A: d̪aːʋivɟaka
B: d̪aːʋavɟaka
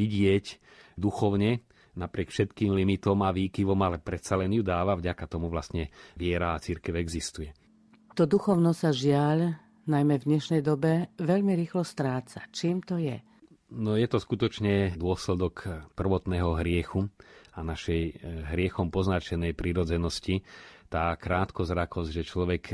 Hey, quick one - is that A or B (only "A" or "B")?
B